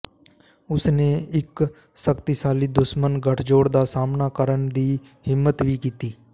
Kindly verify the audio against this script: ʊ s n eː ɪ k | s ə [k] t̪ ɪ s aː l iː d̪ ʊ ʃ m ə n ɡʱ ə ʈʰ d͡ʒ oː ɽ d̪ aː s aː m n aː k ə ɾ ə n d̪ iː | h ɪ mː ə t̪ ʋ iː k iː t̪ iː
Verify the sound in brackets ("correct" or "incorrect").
correct